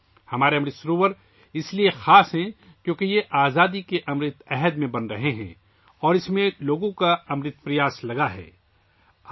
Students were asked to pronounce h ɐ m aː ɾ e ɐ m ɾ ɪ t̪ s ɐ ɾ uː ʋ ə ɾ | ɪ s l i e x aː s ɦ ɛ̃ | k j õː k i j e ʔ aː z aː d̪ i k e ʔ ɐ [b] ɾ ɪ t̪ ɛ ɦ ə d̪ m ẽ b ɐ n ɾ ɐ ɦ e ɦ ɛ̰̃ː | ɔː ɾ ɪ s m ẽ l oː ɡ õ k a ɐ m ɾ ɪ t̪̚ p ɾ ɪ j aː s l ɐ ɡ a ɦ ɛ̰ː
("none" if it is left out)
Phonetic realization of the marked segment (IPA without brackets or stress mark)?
m